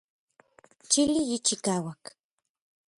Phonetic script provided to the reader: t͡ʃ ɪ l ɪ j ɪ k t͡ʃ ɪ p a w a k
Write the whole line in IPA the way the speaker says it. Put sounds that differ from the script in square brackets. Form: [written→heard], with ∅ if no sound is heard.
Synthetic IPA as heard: t͡ʃ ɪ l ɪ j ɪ [k→∅] t͡ʃ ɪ [p→k] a w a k